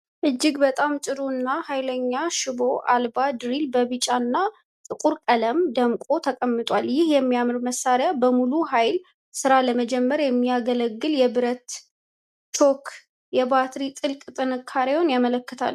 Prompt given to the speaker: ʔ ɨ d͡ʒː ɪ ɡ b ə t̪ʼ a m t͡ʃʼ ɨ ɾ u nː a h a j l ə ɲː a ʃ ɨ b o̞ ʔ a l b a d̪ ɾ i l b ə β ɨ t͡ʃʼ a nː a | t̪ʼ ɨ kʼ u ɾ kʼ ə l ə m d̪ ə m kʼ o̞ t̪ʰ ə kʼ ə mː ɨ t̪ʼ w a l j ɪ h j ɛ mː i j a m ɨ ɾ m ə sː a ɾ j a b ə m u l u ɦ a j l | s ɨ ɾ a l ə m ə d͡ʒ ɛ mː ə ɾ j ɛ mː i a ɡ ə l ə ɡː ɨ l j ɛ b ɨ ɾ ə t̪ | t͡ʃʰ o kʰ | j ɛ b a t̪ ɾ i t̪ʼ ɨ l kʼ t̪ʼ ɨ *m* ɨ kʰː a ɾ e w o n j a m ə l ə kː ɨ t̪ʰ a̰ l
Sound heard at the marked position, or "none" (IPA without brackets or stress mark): n